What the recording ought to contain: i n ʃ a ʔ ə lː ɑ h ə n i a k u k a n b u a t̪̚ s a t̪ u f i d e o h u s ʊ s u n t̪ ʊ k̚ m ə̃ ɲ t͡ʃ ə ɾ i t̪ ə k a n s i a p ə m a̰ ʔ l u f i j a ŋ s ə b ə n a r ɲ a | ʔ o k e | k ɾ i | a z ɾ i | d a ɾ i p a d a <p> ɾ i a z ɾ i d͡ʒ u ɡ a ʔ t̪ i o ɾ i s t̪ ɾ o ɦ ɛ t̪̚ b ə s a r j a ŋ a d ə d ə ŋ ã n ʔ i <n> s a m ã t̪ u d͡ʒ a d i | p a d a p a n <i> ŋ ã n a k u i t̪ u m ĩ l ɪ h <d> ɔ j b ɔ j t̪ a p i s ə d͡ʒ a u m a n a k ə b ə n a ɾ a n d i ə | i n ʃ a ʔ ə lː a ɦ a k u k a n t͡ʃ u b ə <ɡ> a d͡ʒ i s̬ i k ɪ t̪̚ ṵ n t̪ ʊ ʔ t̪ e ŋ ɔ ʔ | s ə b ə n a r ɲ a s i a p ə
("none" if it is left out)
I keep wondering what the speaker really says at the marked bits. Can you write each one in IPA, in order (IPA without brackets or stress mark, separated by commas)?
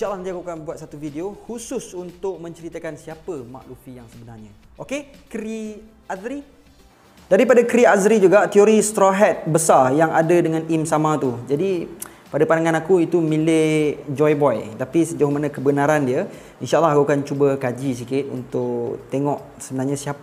k, m, a, d͡ʒ, k